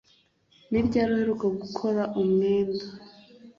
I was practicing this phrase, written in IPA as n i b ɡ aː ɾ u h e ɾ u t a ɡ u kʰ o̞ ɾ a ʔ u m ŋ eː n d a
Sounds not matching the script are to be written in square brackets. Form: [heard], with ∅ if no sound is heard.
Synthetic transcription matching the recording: n i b [ɟ] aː ɾ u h e ɾ u [k] a ɡ u kʰ o̞ ɾ a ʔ u m ŋ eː n d a